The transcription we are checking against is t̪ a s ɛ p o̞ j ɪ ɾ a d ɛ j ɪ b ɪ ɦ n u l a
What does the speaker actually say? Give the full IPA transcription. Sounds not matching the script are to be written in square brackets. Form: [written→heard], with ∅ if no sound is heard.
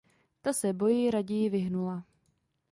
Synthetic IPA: t̪ a s ɛ [p→b] o̞ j ɪ ɾ a [d→ɟ] ɛ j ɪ [b→v] ɪ ɦ n u l a